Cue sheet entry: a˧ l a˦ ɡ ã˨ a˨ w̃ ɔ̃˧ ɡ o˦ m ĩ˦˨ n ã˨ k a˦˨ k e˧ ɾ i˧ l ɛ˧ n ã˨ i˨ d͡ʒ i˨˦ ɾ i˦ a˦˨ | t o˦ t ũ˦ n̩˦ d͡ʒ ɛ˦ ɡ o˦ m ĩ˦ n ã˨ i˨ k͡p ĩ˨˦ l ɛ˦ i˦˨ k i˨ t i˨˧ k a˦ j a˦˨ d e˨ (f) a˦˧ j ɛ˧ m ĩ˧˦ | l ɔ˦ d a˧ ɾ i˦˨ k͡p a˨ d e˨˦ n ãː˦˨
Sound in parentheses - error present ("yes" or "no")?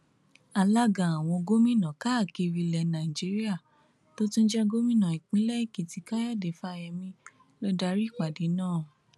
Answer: no